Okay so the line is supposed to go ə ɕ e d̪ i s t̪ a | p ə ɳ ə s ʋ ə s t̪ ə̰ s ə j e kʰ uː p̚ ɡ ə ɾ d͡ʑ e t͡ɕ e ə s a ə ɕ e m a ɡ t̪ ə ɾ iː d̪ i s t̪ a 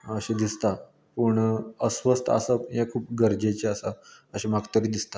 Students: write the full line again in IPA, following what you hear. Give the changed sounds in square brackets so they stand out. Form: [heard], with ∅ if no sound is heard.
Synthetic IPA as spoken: ə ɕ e d̪ i s t̪ a | p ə ɳ ə s ʋ ə s t̪ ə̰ s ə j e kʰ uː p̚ ɡ ə ɾ d͡ʑ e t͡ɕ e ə s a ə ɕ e m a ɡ t̪ ə ɾ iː d̪ i s t̪ a